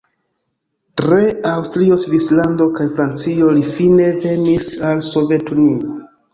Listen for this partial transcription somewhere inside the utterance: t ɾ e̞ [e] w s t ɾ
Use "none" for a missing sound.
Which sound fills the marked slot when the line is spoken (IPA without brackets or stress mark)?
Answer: a